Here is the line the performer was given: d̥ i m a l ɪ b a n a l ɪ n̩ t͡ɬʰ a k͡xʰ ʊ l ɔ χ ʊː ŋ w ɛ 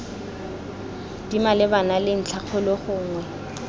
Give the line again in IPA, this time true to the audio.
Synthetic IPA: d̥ i m a l ɪ b a n a l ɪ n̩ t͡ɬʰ a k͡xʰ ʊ l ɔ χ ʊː ŋ w ɛ